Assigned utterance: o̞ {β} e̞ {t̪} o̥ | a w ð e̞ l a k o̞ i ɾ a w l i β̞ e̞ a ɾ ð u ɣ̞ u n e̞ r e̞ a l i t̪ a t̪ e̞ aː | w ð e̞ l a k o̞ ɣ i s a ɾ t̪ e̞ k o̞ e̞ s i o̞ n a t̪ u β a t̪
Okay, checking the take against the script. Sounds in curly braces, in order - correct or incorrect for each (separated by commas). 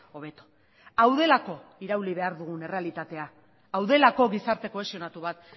correct, correct